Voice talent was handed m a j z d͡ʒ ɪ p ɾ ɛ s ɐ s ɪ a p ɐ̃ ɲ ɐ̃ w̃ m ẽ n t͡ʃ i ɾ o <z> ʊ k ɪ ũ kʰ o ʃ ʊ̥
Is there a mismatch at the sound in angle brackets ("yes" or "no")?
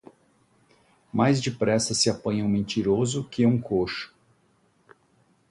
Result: no